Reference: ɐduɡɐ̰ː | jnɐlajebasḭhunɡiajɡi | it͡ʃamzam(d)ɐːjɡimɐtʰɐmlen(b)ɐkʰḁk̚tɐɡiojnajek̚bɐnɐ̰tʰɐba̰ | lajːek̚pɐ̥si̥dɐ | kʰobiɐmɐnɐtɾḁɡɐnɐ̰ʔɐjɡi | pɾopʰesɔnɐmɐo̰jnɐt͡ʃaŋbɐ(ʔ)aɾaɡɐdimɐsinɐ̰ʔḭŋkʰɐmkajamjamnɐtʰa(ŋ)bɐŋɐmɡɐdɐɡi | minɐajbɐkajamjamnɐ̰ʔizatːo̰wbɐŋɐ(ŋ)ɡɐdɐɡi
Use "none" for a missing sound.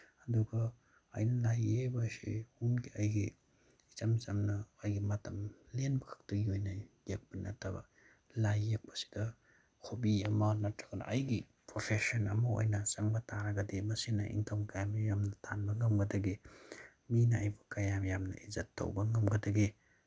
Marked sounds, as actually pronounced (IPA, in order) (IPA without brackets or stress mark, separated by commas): n, b, t, n, m